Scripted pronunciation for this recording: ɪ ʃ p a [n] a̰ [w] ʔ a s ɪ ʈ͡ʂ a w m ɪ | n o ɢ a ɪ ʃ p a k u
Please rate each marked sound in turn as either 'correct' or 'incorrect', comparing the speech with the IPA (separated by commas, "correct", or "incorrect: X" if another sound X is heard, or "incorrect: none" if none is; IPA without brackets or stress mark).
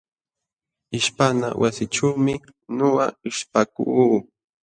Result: correct, correct